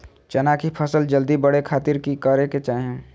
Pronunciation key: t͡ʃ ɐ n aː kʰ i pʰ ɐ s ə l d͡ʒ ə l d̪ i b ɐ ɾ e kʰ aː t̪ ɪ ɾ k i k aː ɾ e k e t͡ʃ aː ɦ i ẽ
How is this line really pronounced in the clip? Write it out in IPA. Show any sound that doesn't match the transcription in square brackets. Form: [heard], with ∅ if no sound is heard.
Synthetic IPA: t͡ʃ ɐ n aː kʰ i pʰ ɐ s ə l d͡ʒ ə l d̪ i b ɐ [ɽ] e kʰ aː t̪ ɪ ɾ k i k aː ɾ e k e t͡ʃ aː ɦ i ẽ

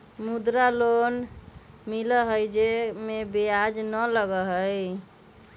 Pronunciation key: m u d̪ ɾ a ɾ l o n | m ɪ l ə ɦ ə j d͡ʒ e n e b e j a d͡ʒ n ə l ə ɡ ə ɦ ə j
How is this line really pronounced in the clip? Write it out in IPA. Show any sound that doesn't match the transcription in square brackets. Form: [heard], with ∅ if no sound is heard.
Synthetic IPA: m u d̪ ɾ a [∅] l o n | m [i] l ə ɦ ə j d͡ʒ e [m] e b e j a d͡ʒ n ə l ə ɡ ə ɦ ə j

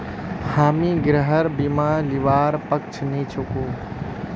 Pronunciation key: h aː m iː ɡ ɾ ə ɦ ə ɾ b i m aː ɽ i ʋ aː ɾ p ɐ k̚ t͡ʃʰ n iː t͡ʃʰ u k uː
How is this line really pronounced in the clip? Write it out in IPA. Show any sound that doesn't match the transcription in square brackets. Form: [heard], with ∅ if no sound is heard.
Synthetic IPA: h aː m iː ɡ ɾ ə ɦ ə ɾ b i m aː [l] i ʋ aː ɾ p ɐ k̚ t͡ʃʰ n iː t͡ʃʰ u k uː

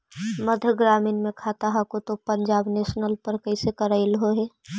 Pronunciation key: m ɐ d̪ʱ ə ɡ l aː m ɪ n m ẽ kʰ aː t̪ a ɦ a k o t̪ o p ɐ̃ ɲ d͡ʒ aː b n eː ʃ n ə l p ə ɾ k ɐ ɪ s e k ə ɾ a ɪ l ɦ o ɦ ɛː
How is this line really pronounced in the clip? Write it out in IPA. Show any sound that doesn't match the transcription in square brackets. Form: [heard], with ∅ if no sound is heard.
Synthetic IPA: m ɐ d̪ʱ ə ɡ [ɾ] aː m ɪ n m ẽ kʰ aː t̪ a ɦ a k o t̪ o p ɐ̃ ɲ d͡ʒ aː b n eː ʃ n ə l p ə ɾ k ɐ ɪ s e k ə ɾ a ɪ l ɦ o ɦ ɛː

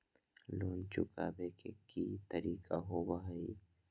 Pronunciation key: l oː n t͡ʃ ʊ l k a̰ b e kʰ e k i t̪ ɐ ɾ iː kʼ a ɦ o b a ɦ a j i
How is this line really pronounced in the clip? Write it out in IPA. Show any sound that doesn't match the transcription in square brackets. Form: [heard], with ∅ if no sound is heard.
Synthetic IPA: l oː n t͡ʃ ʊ [∅] k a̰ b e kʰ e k i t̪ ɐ ɾ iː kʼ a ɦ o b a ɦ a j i

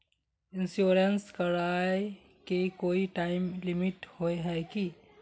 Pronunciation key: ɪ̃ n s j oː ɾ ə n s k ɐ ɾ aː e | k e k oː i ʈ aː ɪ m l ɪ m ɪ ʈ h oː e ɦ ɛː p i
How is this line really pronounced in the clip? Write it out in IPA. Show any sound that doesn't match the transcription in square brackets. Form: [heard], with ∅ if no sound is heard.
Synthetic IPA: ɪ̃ n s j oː ɾ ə n s k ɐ ɾ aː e | k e k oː i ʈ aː ɪ m l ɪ m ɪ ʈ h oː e ɦ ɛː [k] i

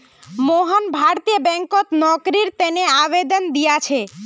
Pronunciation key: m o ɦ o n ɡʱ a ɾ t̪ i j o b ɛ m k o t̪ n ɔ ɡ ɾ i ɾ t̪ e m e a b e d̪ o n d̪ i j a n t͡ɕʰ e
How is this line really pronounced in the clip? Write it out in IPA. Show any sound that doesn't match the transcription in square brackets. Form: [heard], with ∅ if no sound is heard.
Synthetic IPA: m o ɦ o n [bʱ] a ɾ t̪ i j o b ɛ [ŋ] k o t̪ n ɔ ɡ ɾ i ɾ t̪ e [n] e a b e d̪ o n d̪ i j a [∅] t͡ɕʰ e

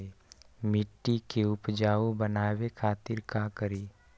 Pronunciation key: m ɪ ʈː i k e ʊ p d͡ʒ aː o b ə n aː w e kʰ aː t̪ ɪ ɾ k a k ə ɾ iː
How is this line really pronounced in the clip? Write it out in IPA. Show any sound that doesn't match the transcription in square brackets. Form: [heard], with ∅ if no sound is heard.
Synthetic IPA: m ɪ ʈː i k e ʊ p d͡ʒ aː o b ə n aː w e kʰ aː t̪ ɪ ɾ k a k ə ɾ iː

